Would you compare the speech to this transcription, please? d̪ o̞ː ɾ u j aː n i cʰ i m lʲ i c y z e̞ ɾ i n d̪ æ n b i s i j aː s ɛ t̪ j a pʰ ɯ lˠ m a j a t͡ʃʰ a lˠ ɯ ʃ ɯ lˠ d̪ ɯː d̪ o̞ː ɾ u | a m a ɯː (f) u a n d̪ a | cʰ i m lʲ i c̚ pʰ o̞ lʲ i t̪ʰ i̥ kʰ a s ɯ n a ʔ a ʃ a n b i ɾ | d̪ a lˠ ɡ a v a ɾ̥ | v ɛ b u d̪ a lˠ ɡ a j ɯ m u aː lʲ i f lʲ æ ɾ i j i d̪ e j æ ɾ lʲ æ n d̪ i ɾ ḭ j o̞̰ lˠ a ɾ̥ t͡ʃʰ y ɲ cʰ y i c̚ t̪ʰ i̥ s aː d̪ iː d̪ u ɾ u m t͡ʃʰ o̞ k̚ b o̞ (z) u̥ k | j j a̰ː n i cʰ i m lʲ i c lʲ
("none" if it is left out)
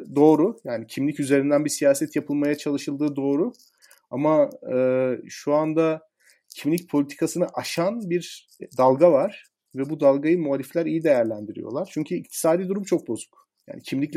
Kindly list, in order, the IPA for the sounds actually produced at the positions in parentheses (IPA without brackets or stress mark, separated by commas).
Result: ʃ, z